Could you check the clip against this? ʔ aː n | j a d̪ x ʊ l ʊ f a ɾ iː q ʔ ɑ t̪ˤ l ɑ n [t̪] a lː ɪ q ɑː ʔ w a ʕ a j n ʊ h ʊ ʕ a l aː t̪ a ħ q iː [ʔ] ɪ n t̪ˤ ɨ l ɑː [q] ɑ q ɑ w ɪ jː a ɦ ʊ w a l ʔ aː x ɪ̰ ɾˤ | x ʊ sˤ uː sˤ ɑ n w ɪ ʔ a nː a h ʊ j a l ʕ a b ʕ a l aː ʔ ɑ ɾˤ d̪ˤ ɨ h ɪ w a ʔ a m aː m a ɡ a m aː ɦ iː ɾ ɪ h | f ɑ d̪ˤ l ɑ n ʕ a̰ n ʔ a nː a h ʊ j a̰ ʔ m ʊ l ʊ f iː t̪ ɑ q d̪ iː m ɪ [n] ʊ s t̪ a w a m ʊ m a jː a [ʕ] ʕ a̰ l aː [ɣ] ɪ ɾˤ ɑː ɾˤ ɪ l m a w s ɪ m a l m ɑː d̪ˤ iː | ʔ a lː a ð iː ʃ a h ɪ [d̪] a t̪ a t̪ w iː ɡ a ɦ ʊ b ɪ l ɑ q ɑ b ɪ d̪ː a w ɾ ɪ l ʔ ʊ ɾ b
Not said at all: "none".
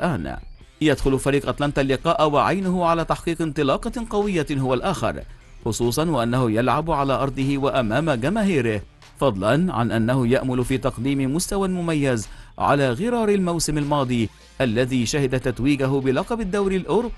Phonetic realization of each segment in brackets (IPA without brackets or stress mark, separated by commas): t̪, q, q, m, z, ɣ, d̪